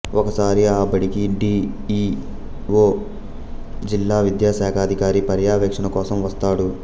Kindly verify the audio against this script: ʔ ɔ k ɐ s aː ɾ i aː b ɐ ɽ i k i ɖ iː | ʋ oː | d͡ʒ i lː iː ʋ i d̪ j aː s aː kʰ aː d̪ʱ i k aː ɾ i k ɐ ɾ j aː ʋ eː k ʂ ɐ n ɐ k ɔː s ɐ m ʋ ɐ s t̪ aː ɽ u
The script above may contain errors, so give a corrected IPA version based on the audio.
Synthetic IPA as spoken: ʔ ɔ k ɐ s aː ɾ i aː b ɐ ɽ i k i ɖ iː | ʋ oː | d͡ʒ i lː aː ʋ i d̪ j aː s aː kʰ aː d̪ʱ i k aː ɾ i p ɐ ɾ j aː ʋ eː k ʂ ɐ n ɐ k ɔː s ɐ m ʋ ɐ s t̪ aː ɽ u